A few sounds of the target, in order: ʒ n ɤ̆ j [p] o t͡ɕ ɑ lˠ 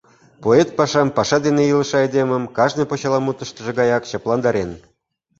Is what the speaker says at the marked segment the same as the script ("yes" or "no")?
yes